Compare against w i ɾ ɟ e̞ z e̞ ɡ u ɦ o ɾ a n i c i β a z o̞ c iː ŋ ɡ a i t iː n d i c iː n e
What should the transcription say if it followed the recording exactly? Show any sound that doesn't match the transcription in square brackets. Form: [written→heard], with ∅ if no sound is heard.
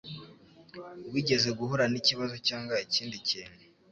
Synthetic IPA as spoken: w i [ɾ→∅] ɟ e̞ z e̞ ɡ u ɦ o ɾ a n i c i β a z o̞ c [iː→aː] ŋ ɡ a i [t→c] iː n d i c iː n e

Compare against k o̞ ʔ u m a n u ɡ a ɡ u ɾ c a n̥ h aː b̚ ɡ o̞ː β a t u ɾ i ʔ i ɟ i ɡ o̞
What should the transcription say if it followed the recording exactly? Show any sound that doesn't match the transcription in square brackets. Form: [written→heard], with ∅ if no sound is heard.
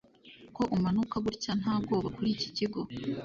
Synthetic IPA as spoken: k o̞ ʔ u m a n u [ɡ→k] a ɡ u ɾ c a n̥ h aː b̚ ɡ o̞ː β a [t→k] u ɾ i [ʔ→c] i [ɟ→c] i ɡ o̞

